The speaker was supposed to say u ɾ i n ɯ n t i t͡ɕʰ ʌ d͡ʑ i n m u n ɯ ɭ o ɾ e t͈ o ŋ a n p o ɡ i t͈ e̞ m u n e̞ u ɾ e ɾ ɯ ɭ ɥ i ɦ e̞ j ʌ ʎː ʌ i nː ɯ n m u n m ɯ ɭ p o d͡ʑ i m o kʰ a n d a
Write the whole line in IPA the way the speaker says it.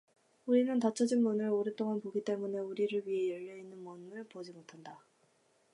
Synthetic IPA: u ɾ i n ɯ n t a t͡ɕʰ ʌ d͡ʑ i n m u n ɯ ɭ o ɾ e t͈ o ŋ a n p o ɡ i t͈ e̞ m u n e̞ u ɾ i ɾ ɯ ɭ ɥ i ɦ e̞ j ʌ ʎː ʌ i nː ɯ n m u n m ɯ ɭ p o d͡ʑ i m o tʰ a n d a